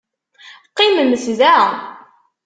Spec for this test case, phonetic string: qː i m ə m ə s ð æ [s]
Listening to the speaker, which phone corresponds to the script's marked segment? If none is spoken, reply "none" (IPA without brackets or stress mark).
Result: none